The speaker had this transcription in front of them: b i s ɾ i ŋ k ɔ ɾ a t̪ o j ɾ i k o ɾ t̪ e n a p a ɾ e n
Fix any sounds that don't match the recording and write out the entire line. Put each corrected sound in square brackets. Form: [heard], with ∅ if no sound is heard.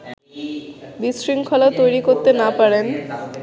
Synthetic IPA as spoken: b i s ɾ i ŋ [kʰ] ɔ [l] a t̪ o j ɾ i k o ɾ t̪ e n a p a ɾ e n